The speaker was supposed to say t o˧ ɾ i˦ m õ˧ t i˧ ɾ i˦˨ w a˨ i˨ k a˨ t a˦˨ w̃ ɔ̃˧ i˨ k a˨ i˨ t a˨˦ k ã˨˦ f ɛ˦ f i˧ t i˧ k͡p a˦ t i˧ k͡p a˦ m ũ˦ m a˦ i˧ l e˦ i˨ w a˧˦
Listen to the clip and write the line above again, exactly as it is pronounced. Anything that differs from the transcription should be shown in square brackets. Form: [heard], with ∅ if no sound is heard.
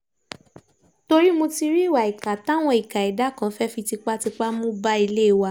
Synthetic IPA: t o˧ ɾ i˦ m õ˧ t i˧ ɾ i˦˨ w a˨ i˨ k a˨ t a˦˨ w̃ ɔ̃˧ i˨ k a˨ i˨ [d] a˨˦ k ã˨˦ f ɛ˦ f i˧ t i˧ k͡p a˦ t i˧ k͡p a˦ m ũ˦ [b] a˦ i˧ l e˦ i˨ w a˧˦